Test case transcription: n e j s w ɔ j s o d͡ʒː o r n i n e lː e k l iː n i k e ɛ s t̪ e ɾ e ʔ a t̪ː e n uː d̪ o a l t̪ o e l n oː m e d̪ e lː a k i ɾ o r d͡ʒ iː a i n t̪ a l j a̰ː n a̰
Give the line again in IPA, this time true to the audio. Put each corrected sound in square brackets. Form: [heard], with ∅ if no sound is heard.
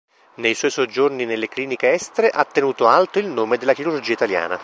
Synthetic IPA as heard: n e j s w ɔ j s o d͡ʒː o r n i n e lː e k l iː n i k e ɛ s t̪ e ɾ e ʔ a t̪ː e n uː [t̪] o a l t̪ o [i] l n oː m e d̪ e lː a k i ɾ [u] r d͡ʒ iː a i [∅] t̪ a l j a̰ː n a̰